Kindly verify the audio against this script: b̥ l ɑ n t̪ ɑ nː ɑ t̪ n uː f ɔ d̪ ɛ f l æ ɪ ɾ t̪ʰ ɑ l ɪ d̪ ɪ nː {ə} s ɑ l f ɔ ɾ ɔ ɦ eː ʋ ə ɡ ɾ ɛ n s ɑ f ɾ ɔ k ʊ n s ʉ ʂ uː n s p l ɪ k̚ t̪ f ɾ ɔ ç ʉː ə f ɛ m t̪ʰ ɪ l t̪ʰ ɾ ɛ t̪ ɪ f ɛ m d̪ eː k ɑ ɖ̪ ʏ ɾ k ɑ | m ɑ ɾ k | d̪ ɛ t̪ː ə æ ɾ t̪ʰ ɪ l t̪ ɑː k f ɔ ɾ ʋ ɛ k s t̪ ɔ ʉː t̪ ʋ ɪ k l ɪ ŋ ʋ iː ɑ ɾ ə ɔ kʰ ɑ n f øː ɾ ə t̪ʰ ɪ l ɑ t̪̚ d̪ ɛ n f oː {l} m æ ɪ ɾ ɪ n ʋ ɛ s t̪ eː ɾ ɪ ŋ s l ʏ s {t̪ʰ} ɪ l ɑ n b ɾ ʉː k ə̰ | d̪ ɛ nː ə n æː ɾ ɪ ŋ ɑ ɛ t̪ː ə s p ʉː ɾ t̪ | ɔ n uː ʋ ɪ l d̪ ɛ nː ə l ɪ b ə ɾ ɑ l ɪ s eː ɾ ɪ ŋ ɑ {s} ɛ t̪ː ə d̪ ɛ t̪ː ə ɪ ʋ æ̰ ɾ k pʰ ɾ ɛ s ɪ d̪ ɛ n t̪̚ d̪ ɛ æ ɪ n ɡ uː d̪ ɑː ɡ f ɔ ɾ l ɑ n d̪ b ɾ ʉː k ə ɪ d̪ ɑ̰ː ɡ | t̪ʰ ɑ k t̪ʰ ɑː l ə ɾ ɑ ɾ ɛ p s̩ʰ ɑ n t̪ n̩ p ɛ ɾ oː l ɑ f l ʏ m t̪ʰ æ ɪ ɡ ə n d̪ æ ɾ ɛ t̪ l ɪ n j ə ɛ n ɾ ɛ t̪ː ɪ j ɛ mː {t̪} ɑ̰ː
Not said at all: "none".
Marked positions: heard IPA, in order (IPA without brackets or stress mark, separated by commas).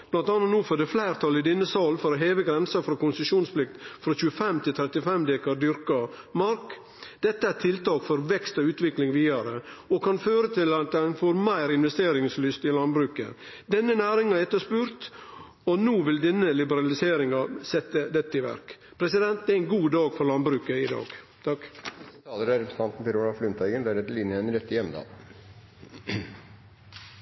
ə, ɾ, t̪, s, d̪